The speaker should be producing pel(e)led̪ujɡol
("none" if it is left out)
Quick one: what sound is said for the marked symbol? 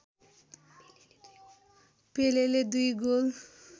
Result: e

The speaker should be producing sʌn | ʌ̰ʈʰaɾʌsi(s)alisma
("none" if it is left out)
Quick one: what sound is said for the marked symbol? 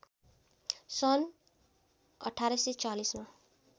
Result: t͡s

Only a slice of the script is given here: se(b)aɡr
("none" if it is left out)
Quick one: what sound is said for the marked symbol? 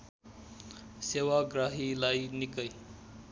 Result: w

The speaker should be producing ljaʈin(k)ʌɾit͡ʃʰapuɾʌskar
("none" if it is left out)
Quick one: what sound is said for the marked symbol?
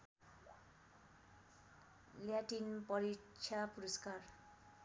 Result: p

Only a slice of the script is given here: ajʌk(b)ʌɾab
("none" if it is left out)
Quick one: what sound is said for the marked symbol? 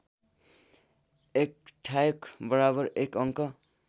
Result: b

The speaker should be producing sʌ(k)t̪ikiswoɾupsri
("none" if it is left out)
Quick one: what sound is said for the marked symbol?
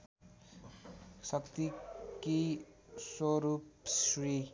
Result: k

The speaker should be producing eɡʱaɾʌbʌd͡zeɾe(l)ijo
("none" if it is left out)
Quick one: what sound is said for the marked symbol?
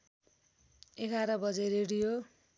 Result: ɽ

